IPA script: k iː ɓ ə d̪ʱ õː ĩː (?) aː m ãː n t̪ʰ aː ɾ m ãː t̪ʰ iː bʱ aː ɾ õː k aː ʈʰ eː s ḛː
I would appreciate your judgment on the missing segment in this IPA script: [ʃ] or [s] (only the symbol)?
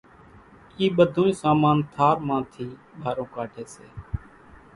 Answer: s